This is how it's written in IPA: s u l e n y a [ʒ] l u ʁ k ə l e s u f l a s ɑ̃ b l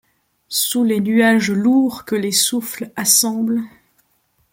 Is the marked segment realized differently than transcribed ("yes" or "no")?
no